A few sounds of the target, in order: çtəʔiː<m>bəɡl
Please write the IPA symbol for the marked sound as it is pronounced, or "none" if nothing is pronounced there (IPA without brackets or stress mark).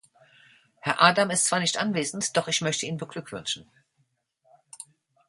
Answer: n